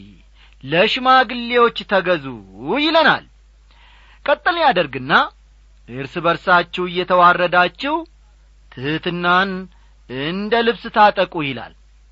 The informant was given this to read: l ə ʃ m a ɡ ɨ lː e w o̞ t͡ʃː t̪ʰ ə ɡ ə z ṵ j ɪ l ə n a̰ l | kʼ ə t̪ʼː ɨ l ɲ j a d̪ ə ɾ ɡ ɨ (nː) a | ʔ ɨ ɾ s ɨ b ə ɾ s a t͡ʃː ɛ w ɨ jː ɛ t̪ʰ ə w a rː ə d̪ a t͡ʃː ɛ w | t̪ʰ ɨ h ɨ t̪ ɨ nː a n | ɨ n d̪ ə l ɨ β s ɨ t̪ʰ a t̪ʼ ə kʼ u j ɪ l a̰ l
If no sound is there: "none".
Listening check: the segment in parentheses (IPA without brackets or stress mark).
nː